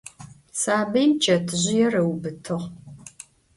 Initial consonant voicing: voiceless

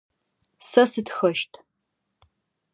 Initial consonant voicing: voiceless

